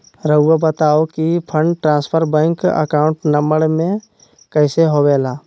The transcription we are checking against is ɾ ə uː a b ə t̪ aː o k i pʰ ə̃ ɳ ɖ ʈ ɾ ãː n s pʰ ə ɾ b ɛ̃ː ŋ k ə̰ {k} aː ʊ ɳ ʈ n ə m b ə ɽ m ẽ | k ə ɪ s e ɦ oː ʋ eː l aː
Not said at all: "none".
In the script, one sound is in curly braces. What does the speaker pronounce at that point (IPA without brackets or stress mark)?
k